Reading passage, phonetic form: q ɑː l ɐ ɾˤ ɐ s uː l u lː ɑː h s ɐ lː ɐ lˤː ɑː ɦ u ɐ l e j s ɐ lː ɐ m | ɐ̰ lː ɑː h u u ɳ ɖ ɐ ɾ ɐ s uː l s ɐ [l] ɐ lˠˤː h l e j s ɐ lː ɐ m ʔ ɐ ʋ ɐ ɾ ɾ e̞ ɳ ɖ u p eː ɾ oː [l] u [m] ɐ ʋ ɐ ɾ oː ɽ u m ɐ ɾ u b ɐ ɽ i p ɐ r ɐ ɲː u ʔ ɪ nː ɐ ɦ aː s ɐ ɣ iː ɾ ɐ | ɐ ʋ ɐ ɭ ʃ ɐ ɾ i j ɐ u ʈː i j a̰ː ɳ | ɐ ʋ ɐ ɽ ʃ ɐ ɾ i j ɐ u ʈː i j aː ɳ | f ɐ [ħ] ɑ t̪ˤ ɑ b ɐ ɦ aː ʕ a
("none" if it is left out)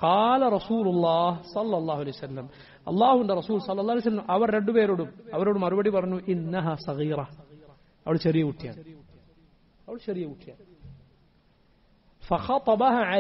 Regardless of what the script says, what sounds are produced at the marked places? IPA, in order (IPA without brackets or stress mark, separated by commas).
lː, ɽ, m, x